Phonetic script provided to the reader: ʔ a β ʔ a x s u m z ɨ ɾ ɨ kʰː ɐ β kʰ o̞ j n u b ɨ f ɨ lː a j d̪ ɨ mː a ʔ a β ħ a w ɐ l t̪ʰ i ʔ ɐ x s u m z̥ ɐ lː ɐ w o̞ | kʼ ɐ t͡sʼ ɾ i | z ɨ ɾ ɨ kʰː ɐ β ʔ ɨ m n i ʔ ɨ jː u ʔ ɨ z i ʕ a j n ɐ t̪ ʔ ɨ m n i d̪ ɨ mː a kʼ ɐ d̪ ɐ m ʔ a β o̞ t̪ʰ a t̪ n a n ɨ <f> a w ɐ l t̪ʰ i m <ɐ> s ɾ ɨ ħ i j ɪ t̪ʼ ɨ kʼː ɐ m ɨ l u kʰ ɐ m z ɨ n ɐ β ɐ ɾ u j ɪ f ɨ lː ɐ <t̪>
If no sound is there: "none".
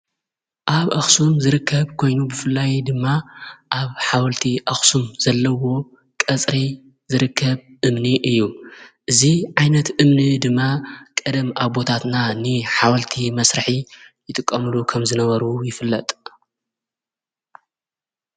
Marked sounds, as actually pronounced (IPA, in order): ħ, ɐ, t̪ʼ

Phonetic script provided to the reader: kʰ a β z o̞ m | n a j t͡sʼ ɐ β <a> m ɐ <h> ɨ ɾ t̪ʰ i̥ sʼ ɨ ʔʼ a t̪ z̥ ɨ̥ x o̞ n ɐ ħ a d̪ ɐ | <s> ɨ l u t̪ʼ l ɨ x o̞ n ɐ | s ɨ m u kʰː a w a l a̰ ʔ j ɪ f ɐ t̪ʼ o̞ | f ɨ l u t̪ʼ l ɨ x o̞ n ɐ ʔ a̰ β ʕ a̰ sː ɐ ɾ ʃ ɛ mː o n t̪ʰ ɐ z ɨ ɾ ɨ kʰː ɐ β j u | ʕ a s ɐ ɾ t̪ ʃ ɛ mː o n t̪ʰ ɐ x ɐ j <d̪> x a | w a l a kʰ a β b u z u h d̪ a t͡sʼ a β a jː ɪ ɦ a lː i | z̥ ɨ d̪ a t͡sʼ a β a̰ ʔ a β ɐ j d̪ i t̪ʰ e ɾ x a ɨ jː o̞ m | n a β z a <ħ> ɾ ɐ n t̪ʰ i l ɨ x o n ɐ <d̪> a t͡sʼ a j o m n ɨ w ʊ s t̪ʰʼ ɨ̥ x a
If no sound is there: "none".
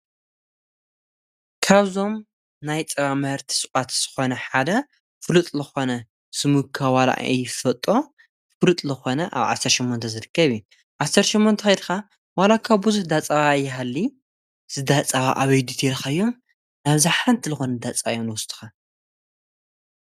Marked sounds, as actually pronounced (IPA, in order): a, h, f, d̪, ħ, d̪

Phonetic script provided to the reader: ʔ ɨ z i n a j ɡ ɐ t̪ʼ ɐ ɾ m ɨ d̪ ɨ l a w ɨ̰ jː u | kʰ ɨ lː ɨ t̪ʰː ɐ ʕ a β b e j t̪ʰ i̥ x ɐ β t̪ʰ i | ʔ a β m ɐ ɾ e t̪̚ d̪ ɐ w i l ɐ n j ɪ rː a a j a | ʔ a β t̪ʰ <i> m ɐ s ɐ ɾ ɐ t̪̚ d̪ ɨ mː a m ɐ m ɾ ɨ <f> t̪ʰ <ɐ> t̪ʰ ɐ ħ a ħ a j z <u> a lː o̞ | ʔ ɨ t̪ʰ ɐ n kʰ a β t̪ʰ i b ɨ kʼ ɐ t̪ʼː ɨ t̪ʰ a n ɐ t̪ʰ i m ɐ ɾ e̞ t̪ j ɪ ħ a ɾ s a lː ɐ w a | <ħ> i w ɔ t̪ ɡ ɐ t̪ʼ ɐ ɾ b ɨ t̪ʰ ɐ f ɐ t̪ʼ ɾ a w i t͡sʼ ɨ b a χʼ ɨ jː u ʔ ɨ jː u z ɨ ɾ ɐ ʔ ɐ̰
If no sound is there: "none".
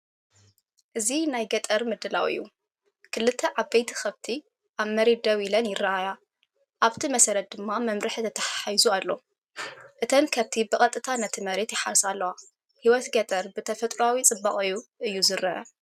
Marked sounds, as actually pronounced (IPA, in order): i, ħ, ɐ, u, h

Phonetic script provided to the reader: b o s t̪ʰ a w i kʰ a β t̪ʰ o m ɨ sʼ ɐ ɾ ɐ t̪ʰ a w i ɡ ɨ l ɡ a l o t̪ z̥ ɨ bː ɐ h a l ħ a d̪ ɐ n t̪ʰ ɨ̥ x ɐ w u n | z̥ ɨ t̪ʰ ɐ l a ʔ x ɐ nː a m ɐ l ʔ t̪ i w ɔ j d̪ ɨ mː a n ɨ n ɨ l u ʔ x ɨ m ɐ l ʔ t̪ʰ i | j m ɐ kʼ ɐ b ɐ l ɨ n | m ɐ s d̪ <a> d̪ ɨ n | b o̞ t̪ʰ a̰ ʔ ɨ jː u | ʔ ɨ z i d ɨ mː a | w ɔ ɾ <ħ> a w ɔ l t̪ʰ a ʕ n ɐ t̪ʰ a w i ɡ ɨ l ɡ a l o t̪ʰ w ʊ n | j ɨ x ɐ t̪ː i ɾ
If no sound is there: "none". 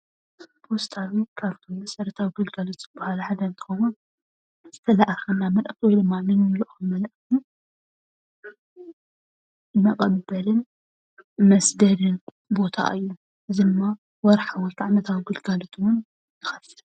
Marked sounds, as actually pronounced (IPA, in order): ɐ, ħ

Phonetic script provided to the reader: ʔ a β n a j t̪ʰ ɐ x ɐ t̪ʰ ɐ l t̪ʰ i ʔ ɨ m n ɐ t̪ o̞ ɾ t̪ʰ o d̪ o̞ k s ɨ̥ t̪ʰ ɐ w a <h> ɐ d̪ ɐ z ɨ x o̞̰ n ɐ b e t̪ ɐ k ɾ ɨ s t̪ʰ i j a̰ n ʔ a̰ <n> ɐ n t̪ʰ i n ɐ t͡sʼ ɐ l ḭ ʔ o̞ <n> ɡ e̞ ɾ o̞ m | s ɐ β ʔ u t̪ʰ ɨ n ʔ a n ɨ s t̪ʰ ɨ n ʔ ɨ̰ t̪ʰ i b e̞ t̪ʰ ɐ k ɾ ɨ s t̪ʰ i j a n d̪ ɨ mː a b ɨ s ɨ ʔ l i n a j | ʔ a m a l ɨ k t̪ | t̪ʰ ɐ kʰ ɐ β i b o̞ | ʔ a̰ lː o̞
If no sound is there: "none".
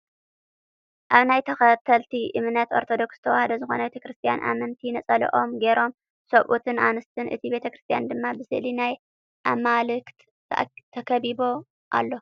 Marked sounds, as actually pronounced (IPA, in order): h, m, m

